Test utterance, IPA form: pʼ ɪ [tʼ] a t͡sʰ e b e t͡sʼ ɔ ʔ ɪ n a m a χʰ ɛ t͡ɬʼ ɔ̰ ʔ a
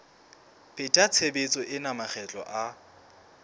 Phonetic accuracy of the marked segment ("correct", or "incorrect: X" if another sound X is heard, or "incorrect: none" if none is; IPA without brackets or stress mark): correct